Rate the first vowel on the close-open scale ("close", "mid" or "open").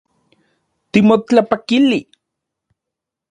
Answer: close